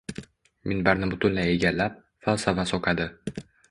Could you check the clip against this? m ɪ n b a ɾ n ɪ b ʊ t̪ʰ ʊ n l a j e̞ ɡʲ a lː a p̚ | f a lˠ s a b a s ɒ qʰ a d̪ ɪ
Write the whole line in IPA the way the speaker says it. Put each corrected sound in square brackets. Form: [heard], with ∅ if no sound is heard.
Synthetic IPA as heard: m ɪ n b a ɾ n ɪ b ʊ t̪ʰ ʊ n l a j e̞ ɡʲ a lː a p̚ | f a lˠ s a [v] a s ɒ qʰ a d̪ ɪ